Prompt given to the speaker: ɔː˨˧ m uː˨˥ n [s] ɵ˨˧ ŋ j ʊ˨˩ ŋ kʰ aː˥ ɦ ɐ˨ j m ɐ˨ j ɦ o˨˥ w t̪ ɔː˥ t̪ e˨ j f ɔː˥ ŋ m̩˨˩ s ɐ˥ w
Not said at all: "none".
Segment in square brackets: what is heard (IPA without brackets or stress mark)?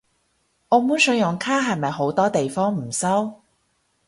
s